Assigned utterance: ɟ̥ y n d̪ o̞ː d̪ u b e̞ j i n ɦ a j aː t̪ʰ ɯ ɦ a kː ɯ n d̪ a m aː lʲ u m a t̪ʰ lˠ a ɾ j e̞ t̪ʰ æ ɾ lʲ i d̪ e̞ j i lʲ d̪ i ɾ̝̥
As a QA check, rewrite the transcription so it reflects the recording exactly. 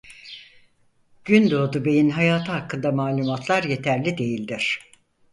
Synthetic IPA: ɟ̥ y n d̪ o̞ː d̪ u b e̞ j i n ɦ a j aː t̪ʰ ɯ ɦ a kː ɯ n d̪ a m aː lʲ u m a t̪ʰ lˠ a ɾ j e̞ t̪ʰ æ ɾ lʲ i d̪ e̞ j i lʲ d̪ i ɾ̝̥